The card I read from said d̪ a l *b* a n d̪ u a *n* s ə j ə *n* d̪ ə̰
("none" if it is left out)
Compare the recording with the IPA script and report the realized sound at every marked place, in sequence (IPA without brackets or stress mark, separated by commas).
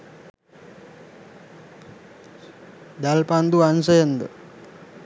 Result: p, n, n